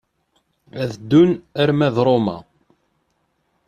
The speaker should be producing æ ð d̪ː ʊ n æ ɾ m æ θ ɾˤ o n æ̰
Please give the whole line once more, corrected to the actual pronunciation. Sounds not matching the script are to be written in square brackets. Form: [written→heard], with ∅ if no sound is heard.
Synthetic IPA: æ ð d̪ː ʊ n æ ɾ m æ [θ→ð] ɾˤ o [n→m] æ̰